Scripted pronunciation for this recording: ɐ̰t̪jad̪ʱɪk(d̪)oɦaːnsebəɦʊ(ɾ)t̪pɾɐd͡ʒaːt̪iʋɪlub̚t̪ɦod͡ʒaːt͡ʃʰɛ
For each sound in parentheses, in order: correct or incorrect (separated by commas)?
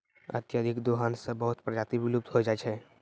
correct, incorrect